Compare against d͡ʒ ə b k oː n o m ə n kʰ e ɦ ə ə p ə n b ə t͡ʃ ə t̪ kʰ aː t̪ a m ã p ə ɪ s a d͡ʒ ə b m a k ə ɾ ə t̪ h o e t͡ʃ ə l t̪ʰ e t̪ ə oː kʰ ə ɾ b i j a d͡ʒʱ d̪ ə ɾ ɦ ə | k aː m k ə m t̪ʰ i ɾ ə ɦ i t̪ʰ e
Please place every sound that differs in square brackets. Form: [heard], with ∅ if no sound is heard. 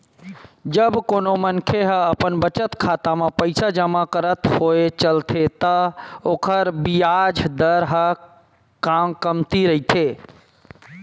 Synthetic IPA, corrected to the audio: d͡ʒ ə b k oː n o m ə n kʰ e ɦ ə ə p ə n b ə t͡ʃ ə t̪ kʰ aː t̪ a m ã p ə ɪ s a d͡ʒ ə [∅] m a k ə ɾ ə t̪ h o e t͡ʃ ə l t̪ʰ e t̪ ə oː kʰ ə ɾ b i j a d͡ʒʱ d̪ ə ɾ ɦ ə | k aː m k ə m [t̪] i ɾ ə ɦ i t̪ʰ e